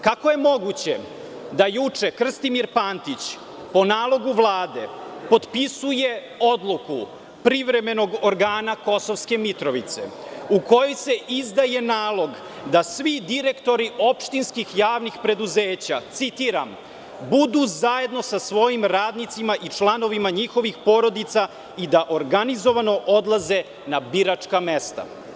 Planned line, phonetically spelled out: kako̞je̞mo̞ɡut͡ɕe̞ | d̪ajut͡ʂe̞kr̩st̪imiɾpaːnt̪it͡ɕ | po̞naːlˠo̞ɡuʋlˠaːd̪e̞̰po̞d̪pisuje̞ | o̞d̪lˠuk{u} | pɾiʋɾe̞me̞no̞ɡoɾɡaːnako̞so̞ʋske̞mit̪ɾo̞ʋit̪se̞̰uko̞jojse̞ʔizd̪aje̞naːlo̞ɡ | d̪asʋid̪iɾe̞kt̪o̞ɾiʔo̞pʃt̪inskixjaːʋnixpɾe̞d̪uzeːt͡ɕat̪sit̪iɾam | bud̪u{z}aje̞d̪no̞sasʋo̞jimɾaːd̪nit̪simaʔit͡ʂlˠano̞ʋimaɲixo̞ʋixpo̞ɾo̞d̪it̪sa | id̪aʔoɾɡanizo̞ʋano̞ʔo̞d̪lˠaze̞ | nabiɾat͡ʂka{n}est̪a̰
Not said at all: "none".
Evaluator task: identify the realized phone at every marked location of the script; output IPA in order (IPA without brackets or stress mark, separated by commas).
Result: u, z, m